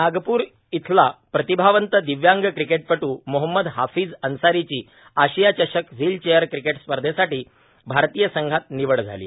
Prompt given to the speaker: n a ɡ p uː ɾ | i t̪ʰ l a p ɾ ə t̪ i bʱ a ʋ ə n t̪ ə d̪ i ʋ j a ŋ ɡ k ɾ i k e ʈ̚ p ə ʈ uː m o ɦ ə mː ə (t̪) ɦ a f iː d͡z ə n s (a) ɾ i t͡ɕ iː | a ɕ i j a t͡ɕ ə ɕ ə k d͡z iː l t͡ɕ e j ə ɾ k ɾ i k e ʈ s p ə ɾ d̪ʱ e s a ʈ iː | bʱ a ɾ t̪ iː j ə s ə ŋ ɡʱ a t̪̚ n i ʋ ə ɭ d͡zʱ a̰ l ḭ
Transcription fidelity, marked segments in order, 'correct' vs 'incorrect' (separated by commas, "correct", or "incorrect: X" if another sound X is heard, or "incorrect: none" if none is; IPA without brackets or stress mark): incorrect: d̪, correct